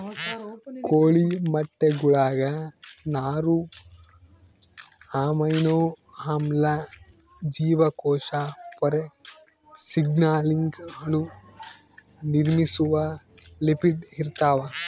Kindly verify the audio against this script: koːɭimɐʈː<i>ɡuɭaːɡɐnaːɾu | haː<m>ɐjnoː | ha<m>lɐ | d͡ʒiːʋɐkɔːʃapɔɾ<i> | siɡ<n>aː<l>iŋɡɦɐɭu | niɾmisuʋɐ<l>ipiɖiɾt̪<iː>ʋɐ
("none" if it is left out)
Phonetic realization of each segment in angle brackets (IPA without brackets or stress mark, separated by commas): e, m, m, e, n, l, l, aː